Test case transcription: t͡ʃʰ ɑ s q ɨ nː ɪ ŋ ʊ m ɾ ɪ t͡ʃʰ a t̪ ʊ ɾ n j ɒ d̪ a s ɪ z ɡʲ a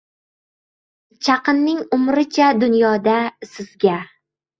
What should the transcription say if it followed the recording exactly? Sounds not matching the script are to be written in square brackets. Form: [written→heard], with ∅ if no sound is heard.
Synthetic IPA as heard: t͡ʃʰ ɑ [s→∅] q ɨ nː ɪ ŋ ʊ m ɾ ɪ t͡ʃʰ a [t̪→d̪] ʊ [ɾ→∅] n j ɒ d̪ a s ɪ z ɡʲ a